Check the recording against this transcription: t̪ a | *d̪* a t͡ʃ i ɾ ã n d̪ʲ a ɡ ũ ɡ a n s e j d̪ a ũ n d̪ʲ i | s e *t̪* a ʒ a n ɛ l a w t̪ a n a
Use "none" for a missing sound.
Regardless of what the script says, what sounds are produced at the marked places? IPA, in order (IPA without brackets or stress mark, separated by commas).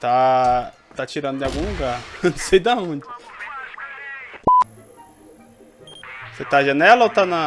t̪, t̪